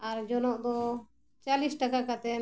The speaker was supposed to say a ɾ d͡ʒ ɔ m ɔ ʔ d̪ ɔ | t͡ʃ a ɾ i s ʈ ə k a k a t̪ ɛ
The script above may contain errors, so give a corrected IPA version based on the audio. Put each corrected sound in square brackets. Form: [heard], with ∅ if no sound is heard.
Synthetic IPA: a ɾ d͡ʒ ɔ [n] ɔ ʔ d̪ ɔ | t͡ʃ a [l] i s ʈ [a] k a k a t̪ ɛ